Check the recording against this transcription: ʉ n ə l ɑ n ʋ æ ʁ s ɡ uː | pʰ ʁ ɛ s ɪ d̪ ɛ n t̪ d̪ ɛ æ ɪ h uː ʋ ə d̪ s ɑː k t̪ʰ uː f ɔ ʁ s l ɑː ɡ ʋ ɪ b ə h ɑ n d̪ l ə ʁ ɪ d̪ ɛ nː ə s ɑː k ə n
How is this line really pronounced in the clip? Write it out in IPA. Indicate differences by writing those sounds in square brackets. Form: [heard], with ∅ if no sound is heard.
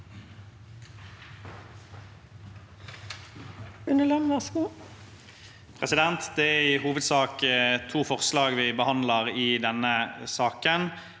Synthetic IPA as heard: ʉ n ə l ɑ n ʋ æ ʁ s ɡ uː | pʰ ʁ ɛ s ɪ d̪ ɛ n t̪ d̪ ɛ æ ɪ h uː ʋ ə d̪ s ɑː k t̪ʰ uː f ɔ ʁ s l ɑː ɡ ʋ ɪ b ə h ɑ n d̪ l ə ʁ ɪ d̪ ɛ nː ə s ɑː k ə n

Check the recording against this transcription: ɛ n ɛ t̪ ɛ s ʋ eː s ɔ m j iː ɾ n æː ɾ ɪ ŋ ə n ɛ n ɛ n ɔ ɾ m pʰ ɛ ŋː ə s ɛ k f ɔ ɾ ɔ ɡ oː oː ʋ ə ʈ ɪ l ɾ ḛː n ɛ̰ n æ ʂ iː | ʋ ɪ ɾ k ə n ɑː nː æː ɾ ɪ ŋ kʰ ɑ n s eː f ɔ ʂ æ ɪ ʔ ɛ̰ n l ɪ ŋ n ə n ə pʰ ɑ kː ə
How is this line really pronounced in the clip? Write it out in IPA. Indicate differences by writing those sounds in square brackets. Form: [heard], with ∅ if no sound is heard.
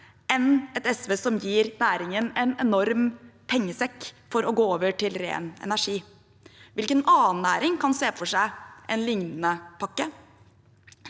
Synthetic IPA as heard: ɛ n ɛ t̪ ɛ s ʋ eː s ɔ m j iː ɾ n æː ɾ ɪ ŋ ə n ɛ n ɛ n ɔ ɾ m pʰ ɛ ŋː ə s ɛ k f ɔ ɾ ɔ ɡ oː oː ʋ ə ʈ ɪ l ɾ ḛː n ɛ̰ n æ ʂ iː | ʋ ɪ [l] k ə n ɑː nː æː ɾ ɪ ŋ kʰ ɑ n s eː f ɔ ʂ æ ɪ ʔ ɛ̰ n l ɪ ŋ n ə n ə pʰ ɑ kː ə

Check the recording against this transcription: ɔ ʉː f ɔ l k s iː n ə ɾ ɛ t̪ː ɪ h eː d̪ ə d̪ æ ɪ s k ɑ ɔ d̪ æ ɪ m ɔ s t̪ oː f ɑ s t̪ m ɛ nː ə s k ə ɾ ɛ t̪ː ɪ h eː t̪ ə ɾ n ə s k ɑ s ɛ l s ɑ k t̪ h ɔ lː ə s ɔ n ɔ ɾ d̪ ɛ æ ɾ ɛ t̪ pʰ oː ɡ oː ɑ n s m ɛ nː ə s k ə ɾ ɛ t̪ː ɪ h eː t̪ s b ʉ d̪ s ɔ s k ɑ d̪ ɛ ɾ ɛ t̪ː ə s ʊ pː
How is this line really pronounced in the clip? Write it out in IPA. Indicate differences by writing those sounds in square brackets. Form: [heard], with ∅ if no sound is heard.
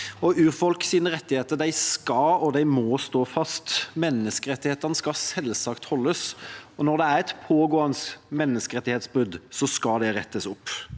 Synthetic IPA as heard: ɔ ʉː f ɔ l k s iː n ə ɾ ɛ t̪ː ɪ h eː [t̪] ə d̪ æ ɪ s k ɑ ɔ d̪ æ ɪ m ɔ s t̪ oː f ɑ s t̪ m ɛ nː ə s k ə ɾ ɛ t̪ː ɪ h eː t̪ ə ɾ n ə s k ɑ s ɛ l s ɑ k t̪ h ɔ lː ə s ɔ n ɔ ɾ d̪ ɛ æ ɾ ɛ t̪ pʰ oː ɡ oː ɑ n s m ɛ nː ə s k ə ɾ ɛ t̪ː ɪ h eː t̪ s b ʉ d̪ s ɔ s k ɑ d̪ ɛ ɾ ɛ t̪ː ə s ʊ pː

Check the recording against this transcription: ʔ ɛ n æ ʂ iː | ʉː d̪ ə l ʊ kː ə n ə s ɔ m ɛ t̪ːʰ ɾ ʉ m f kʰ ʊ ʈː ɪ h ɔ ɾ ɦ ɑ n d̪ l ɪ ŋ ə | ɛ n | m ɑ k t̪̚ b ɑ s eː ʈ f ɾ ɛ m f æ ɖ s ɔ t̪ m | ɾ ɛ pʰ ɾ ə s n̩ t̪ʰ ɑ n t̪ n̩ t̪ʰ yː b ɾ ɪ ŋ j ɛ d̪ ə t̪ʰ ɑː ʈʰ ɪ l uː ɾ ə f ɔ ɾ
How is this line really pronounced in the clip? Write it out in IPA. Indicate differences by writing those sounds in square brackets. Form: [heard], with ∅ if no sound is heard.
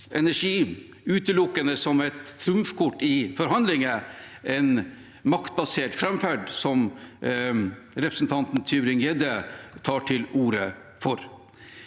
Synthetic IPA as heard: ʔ ɛ n æ ʂ iː | ʉː [t̪] ə l ʊ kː ə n ə s ɔ m ɛ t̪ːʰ ɾ ʉ m f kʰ ʊ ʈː ɪ [f] ɔ ɾ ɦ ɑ n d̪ l ɪ ŋ ə | ɛ n | m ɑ k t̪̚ b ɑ s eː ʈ f ɾ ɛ m f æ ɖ s ɔ [∅] m | ɾ ɛ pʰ ɾ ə s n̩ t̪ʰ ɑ n t̪ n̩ t̪ʰ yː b ɾ ɪ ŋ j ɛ d̪ ə t̪ʰ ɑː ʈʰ ɪ l uː ɾ ə f ɔ ɾ

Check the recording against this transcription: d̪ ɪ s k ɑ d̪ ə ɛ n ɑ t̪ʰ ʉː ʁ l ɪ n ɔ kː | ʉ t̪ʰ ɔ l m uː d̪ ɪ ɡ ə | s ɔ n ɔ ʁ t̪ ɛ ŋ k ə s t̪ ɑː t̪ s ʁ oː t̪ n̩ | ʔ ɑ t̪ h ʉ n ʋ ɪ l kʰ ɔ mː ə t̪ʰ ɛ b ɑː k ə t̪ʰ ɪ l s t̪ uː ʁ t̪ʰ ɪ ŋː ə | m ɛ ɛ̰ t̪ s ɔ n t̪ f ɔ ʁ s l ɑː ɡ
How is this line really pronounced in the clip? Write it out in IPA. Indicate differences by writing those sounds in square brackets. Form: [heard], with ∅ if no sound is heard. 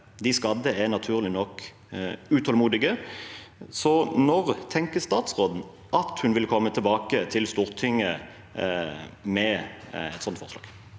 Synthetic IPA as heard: d̪ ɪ s k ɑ d̪ ə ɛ n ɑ t̪ʰ ʉː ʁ l ɪ n ɔ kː | ʉ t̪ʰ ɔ l m uː d̪ ɪ ɡ ə | s ɔ n ɔ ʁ [t̪ʰ] ɛ ŋ k ə s t̪ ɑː t̪ s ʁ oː [d̪] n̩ | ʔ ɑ t̪ h ʉ n ʋ ɪ l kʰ ɔ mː ə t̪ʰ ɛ b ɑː k ə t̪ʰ ɪ l s t̪ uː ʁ t̪ʰ ɪ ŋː ə | m ɛ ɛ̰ t̪ s ɔ n t̪ f ɔ ʁ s l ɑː ɡ

